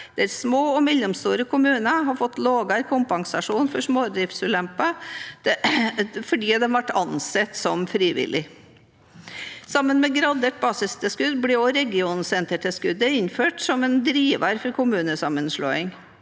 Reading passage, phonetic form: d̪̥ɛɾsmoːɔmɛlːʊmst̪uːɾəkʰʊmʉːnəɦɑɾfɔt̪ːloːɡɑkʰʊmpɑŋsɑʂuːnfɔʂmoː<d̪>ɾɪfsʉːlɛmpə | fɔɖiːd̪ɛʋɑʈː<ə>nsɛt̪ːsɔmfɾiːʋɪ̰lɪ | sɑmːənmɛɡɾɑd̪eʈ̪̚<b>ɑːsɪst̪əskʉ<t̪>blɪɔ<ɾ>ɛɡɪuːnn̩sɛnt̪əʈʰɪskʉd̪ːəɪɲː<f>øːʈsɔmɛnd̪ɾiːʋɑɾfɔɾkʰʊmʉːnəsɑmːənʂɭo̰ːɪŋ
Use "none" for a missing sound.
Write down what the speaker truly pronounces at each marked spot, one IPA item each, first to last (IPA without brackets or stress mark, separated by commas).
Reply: d̪, ɑ, b, d̪, ɾ, f